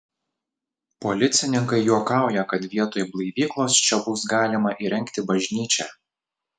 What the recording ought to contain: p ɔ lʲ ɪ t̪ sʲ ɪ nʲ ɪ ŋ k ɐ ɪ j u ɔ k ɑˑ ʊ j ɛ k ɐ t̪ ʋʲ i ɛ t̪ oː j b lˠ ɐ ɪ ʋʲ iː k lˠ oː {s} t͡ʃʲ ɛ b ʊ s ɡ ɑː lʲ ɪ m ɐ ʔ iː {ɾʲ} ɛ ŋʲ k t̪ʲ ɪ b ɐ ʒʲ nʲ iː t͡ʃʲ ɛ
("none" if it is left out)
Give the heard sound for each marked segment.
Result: s, ɾʲ

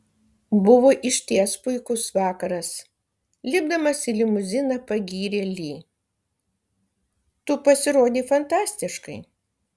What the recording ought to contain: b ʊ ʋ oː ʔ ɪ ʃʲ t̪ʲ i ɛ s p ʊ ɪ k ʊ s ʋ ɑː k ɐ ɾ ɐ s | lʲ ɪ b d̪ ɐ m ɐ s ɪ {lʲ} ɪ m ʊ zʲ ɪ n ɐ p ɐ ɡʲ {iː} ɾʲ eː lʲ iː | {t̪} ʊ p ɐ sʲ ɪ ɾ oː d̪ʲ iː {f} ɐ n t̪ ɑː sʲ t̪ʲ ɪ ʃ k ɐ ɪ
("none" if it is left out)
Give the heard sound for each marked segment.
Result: lʲ, iː, t̪, f

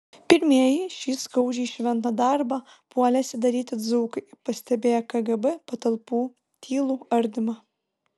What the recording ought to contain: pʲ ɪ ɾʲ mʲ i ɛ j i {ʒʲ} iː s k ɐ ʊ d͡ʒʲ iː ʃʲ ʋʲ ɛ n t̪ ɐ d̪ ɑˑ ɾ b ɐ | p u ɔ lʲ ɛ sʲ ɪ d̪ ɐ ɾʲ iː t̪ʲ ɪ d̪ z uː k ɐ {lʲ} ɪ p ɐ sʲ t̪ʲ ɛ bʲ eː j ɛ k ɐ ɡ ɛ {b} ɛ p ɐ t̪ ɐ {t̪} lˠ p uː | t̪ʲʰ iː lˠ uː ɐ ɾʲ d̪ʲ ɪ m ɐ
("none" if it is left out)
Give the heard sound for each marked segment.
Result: ʃʲ, none, b, none

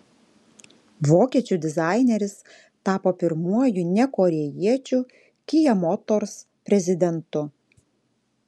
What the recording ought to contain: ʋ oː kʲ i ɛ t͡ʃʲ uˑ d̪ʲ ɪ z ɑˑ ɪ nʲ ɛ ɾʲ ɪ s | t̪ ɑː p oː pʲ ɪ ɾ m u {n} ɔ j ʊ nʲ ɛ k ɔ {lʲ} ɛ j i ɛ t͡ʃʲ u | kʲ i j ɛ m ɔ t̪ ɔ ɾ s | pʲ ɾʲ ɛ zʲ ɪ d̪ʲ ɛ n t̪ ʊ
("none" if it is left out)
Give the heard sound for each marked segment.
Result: none, ɾʲ

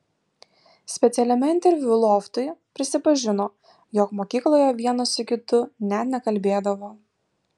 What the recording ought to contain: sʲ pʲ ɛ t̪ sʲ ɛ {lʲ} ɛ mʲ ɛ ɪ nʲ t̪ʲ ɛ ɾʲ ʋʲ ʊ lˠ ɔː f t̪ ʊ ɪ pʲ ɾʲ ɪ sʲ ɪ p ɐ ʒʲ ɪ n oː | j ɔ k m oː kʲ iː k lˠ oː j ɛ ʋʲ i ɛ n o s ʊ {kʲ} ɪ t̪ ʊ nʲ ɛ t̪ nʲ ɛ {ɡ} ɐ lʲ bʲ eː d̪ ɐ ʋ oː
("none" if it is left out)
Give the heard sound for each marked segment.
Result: lʲ, kʲ, k

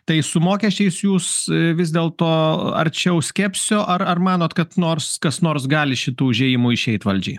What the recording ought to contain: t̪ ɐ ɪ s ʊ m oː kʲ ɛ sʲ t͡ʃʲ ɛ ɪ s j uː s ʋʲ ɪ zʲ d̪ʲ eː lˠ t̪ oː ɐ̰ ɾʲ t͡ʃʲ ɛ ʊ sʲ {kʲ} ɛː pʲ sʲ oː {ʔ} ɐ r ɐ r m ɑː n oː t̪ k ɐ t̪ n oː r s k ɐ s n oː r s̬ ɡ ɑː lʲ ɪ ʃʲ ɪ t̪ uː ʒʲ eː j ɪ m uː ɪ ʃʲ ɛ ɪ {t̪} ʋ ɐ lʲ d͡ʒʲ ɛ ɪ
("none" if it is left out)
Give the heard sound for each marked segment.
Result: kʲ, ʔ, t̪

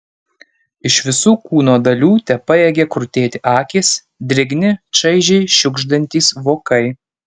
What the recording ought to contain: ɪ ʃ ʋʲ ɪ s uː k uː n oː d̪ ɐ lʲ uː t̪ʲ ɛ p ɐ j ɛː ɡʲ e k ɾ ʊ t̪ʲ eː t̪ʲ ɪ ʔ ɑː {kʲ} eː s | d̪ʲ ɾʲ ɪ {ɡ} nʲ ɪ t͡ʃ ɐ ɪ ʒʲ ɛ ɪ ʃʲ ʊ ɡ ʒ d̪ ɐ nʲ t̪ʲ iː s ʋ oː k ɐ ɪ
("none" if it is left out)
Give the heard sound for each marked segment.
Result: kʲ, ɡ

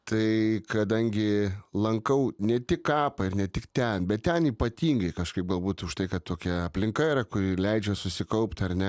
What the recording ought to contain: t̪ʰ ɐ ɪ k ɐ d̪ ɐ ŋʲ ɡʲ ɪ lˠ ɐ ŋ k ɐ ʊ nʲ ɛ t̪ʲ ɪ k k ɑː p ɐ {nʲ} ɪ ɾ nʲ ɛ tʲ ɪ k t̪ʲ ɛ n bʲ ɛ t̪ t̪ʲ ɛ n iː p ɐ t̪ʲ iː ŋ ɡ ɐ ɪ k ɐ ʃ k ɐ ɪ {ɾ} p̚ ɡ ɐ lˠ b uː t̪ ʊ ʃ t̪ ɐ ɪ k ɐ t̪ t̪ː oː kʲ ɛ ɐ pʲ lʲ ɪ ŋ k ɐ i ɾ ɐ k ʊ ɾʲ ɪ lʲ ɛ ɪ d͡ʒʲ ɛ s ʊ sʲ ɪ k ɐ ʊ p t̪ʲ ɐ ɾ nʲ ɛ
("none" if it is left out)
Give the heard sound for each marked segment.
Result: none, none

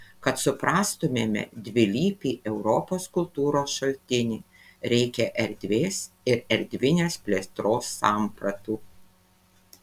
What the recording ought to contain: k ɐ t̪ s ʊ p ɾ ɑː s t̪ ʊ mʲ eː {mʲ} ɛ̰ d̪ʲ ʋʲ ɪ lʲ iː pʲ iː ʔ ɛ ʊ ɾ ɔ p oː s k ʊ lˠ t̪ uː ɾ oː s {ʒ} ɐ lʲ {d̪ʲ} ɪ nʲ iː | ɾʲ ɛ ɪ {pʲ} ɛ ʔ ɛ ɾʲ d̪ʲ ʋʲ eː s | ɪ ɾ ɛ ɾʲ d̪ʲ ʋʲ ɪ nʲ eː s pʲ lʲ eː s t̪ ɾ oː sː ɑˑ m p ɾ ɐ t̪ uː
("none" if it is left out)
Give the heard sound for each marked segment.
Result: mʲ, ʃ, t̪ʲ, kʲ

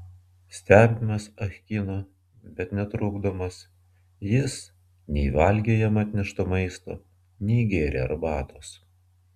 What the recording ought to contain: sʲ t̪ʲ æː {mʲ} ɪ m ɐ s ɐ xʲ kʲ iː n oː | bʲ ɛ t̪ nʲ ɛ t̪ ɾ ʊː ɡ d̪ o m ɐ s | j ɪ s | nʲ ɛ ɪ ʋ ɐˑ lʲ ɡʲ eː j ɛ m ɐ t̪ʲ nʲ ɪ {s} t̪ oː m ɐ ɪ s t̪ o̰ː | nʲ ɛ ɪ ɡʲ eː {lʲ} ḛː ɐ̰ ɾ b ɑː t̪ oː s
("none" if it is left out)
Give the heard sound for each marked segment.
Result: bʲ, ʃ, ɾʲ

